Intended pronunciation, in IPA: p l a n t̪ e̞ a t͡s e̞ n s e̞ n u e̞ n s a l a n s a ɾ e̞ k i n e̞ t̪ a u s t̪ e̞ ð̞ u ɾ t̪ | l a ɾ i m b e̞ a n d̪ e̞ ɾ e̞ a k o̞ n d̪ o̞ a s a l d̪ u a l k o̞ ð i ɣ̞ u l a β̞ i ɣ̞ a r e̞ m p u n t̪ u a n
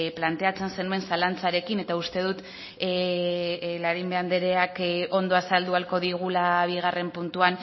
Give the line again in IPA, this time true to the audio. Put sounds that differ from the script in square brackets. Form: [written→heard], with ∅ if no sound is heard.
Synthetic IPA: p l a n t̪ e̞ a t͡s e̞ n s e̞ n u e̞ n s a l a n [s→t͡s] a ɾ e̞ k i n e̞ t̪ a u s t̪ e̞ ð̞ u [ɾ→∅] t̪ | l a ɾ i m b e̞ a n d̪ e̞ ɾ e̞ a k o̞ n d̪ o̞ a s a l d̪ u a l k o̞ ð i ɣ̞ u l a β̞ i ɣ̞ a r e̞ m p u n t̪ u a n